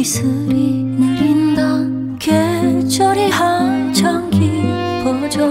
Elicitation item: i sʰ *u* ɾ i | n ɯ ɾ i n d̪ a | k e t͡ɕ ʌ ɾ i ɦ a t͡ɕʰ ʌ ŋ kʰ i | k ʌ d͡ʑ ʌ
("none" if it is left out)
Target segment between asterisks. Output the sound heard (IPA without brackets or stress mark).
ɯ